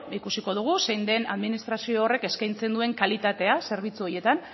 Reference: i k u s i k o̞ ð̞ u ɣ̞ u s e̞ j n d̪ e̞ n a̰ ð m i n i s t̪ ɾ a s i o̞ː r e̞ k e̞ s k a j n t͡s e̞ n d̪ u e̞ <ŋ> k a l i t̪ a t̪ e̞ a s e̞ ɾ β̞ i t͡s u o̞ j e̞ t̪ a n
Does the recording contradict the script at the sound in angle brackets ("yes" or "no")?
no